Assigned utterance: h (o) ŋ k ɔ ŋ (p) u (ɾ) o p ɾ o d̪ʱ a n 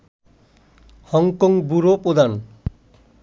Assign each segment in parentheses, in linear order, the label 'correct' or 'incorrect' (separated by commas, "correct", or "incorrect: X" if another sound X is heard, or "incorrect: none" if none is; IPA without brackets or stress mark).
incorrect: ɔ, incorrect: b, correct